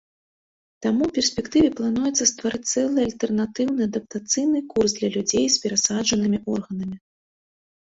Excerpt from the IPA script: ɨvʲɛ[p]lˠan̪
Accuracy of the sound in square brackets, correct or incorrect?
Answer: correct